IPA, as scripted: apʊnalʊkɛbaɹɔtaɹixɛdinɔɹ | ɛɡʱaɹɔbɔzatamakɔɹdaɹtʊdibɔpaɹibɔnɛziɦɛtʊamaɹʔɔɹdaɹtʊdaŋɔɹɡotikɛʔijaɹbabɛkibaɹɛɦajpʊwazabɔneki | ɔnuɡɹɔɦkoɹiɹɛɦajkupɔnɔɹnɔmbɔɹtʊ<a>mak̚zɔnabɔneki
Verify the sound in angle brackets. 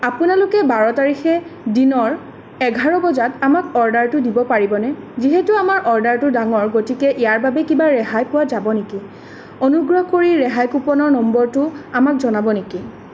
correct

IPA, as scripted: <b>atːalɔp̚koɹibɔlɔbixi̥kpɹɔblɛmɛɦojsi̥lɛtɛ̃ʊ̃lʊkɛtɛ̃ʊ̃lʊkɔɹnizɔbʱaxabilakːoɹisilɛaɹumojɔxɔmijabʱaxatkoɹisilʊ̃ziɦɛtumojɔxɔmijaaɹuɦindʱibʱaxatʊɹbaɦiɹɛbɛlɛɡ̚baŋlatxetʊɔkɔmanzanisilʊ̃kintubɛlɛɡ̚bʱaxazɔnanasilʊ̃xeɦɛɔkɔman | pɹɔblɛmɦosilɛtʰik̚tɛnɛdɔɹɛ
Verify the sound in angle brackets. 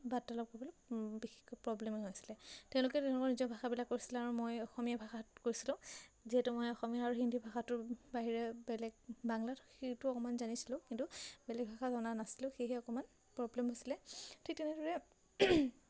correct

